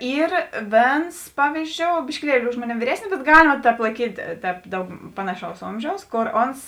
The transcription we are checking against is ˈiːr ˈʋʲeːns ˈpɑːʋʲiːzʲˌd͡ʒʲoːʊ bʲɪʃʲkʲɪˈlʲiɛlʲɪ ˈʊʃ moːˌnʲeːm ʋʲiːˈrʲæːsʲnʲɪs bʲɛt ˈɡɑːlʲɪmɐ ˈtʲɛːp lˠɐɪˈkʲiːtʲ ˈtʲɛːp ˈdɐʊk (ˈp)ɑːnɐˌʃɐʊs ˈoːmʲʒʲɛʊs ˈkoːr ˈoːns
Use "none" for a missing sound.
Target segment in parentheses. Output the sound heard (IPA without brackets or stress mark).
p